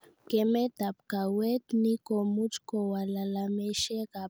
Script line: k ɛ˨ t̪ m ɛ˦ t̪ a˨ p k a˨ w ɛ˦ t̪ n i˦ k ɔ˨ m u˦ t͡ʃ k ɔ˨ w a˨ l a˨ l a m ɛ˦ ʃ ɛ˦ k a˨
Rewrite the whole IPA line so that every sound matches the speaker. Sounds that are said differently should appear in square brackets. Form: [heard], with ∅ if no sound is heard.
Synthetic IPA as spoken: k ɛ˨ [∅] m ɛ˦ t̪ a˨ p k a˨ w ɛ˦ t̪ n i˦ k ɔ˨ m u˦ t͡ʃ k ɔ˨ w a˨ l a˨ l a m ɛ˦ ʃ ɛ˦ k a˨